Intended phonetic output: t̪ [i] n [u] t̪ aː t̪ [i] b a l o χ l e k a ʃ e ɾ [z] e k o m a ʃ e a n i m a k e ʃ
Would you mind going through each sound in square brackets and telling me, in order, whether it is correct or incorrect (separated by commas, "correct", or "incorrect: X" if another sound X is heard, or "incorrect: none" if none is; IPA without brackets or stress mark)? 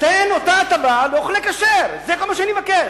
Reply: incorrect: e, incorrect: o, incorrect: a, correct